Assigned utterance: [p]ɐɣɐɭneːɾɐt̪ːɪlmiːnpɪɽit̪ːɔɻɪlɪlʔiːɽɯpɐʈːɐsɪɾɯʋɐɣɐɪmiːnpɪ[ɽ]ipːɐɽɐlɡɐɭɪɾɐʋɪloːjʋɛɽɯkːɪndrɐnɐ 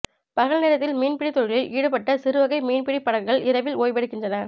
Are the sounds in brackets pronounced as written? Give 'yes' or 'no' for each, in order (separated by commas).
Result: yes, yes